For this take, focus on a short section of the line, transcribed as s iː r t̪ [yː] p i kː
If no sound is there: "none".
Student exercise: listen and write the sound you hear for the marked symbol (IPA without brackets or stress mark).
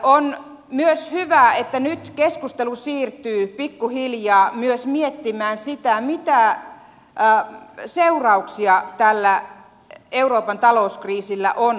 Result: yː